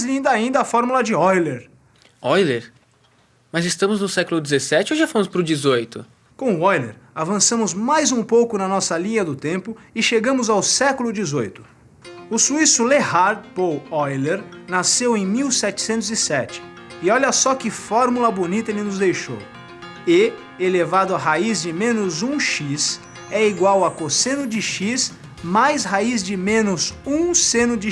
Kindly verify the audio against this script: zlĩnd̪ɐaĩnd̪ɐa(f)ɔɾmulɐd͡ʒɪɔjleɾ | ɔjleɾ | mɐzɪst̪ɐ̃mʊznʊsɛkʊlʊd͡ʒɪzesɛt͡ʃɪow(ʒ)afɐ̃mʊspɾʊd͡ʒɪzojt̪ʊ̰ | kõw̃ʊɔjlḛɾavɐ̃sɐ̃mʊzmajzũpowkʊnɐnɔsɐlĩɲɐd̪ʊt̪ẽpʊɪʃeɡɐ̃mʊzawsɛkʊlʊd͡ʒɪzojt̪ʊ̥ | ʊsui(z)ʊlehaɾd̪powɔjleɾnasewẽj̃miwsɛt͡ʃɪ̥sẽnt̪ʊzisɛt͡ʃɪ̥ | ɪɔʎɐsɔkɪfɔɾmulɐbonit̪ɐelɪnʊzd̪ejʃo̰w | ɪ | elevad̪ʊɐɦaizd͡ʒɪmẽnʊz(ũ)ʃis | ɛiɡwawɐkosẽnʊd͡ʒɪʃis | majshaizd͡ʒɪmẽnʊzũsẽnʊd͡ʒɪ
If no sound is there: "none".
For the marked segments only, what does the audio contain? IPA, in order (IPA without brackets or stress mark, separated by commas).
f, ʒ, s, ũ